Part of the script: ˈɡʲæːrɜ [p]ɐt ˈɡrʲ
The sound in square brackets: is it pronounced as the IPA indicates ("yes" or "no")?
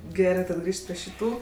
no